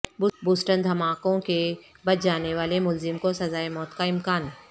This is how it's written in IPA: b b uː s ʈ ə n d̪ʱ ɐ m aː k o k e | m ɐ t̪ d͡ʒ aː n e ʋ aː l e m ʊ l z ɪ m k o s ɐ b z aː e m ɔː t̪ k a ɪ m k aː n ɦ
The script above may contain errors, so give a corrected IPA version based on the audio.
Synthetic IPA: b b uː s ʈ ə n d̪ʱ ɐ m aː k õ k e | b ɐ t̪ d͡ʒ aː n e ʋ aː l e m ʊ l z ɪ m k o s ɐ z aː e m ɔː t̪ k a ɪ m k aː n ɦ